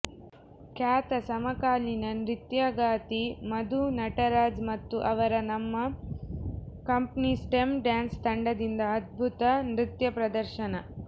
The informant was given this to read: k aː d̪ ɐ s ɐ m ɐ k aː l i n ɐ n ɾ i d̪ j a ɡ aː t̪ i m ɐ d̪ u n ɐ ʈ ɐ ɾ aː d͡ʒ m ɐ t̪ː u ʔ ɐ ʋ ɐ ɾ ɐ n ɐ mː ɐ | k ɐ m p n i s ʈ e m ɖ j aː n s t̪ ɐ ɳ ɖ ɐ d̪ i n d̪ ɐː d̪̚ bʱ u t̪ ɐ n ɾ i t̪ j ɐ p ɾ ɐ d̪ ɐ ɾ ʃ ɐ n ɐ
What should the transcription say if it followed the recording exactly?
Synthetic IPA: k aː t̪ ɐ s ɐ m ɐ k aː l i n ɐ n ɾ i t̪ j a ɡ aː t̪ i m ɐ d̪ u n ɐ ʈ ɐ ɾ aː d͡ʒ m ɐ t̪ː u ʔ ɐ ʋ ɐ ɾ ɐ n ɐ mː ɐ | k ɐ m p n i s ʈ e m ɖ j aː n s t̪ ɐ ɳ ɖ ɐ d̪ i n d̪ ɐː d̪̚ bʱ u t̪ ɐ n ɾ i t̪ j ɐ p ɾ ɐ d̪ ɐ ɾ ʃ ɐ n ɐ